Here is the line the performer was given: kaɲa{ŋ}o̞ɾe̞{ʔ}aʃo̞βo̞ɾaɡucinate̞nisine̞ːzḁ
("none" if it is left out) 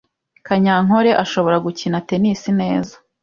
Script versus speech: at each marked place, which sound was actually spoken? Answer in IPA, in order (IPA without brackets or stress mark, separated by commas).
ŋ, ʔ